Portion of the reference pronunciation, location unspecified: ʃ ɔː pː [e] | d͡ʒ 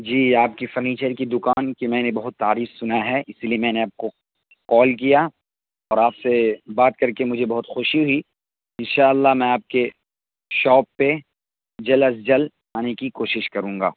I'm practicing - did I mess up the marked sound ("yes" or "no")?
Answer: no